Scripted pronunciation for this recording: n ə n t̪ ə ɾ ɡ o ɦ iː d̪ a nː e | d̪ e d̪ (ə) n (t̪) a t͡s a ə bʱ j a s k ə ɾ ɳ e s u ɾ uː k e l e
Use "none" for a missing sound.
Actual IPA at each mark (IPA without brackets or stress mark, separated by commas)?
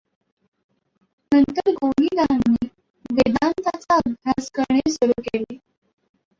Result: a, t̪